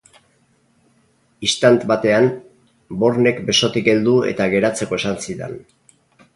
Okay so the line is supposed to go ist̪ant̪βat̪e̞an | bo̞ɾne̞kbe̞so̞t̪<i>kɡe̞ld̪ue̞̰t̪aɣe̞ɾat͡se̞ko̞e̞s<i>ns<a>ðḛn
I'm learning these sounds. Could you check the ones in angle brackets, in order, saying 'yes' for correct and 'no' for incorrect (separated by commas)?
yes, no, no